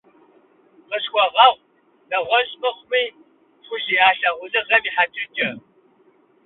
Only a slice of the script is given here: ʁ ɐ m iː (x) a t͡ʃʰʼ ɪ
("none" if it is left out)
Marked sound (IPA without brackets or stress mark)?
ħ